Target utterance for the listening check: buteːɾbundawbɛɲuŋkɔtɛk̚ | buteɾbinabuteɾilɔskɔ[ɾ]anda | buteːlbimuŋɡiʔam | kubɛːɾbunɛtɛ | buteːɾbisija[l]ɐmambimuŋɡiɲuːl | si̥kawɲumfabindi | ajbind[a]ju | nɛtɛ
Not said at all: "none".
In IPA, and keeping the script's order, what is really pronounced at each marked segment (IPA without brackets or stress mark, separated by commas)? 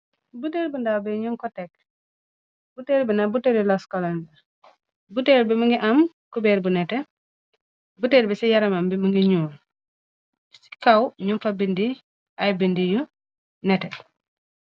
l, ɾ, i